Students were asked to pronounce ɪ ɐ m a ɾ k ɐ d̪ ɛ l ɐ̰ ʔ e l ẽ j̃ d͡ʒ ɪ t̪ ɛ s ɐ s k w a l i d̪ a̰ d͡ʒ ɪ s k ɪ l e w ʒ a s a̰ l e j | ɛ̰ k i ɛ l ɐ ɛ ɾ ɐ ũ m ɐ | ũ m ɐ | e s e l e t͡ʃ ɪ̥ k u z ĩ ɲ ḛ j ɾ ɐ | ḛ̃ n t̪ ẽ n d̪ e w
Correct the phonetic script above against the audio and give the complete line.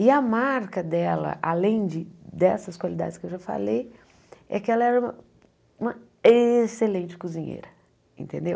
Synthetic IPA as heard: ɪ ɐ m a ɾ k ɐ d̪ ɛ l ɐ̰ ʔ a l ẽ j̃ d͡ʒ ɪ d̪ ɛ s ɐ s k w a l i d̪ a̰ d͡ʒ ɪ s k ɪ e w ʒ a f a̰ l e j | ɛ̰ k ɪ ɛ l ɐ ɛ ɾ ɐ ũ m ɐ | ũ m ɐ | e s e l ẽ t͡ʃ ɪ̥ k u z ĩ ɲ ḛ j ɾ ɐ | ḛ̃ n t̪ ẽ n d̪ e w